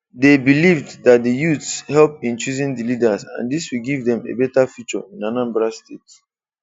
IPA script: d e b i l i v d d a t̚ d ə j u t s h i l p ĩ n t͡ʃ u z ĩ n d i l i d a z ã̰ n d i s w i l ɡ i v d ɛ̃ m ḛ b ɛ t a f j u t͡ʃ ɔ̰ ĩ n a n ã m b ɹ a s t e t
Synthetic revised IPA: d e b i l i v d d a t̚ d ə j u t s h ɛ l p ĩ n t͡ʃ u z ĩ n d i l i d a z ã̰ n d i s w i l ɡ i v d ɛ̃ m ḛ b ɛ t a f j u t͡ʃ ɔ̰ ĩ n a n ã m b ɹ a s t e t